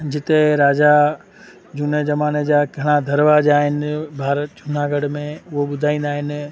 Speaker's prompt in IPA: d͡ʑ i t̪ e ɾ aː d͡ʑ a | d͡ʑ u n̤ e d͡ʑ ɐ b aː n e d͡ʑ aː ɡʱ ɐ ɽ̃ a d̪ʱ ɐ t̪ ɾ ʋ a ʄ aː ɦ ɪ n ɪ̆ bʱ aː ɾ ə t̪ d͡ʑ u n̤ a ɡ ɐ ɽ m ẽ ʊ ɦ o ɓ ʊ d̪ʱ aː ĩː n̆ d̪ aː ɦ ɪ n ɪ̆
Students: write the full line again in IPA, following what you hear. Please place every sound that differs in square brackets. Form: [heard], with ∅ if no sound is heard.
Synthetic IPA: d͡ʑ [ɪ] t̪ e ɾ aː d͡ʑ a | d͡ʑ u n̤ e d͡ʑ ɐ [m] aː n e d͡ʑ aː ɡʱ ɐ ɽ̃ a d̪ʱ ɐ [∅] ɾ ʋ a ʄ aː ɦ ɪ n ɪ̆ bʱ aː ɾ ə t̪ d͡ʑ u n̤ a ɡ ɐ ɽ m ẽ ʊ ɦ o ɓ ʊ d̪ʱ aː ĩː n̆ d̪ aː ɦ ɪ n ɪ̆